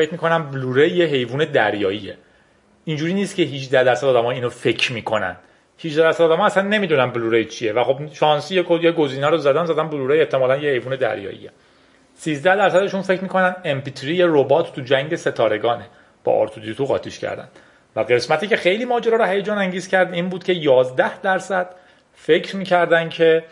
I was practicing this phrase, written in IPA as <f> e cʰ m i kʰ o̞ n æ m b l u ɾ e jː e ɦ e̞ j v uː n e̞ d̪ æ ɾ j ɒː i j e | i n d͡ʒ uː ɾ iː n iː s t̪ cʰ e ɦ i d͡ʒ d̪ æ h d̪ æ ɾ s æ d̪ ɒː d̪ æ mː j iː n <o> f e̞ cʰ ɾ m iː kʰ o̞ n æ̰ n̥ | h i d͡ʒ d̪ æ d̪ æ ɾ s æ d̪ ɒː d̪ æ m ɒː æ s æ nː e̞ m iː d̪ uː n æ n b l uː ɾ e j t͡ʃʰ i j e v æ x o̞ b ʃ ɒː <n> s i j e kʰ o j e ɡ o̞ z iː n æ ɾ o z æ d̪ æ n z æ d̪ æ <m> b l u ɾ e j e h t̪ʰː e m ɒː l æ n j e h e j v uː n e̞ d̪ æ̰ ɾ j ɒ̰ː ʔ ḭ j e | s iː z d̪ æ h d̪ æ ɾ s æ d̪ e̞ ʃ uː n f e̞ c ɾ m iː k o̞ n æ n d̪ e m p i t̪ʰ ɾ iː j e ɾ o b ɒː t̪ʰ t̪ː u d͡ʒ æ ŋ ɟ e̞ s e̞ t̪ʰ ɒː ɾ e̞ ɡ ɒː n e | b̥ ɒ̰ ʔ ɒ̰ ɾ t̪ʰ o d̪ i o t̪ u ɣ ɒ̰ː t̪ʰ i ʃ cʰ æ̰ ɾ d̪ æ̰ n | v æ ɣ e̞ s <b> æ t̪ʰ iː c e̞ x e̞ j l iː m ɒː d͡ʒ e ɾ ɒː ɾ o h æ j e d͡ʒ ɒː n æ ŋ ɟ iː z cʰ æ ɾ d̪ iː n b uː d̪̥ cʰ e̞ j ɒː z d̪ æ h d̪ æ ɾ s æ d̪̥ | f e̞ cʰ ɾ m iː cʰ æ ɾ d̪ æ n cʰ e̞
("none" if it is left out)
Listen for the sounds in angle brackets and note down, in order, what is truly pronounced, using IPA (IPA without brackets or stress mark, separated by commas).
f, o, n, n, m